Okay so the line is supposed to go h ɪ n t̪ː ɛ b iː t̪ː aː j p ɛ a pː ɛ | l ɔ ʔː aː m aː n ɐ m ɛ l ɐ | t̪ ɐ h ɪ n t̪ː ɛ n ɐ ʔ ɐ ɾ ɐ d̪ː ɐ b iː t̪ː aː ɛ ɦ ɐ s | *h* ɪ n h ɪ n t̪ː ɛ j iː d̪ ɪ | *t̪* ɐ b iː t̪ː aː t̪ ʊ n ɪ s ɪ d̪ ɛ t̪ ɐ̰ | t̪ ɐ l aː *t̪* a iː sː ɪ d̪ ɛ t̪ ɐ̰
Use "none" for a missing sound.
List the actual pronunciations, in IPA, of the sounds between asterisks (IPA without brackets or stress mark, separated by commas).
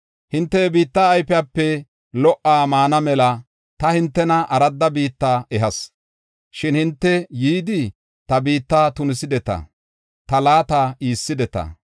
ʃ, t̪, t̪